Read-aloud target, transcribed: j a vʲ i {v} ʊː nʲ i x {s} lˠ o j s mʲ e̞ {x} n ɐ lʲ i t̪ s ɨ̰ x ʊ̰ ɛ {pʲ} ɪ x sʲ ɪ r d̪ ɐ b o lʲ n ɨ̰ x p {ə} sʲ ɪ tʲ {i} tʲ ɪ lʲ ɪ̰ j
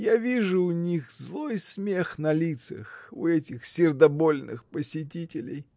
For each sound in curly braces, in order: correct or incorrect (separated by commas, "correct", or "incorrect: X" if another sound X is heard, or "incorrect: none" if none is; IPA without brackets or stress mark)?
incorrect: ʐ, incorrect: z, correct, incorrect: tʲ, correct, correct